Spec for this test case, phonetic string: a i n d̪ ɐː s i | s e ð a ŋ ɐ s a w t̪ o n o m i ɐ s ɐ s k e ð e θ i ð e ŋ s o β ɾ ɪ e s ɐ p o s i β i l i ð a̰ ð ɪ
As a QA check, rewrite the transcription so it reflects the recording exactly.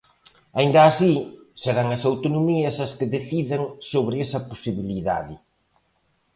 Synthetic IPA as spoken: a i n d̪ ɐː s i | s e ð a ŋ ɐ s a w t̪ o n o m i ɐ s ɐ s k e ð e θ i ð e ŋ s o β ɾ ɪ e s ɐ p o s i β i l i ð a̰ ð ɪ